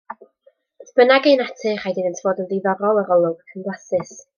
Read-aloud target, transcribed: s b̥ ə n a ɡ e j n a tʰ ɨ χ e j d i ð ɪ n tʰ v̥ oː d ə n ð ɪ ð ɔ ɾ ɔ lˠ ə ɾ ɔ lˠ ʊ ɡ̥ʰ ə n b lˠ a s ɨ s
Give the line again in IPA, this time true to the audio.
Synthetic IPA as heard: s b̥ ə n a ɡ e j n a tʰ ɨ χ a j d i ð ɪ n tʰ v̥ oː d ə n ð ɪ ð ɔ ɾ ɔ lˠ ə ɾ ɔ lˠ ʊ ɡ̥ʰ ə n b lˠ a s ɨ s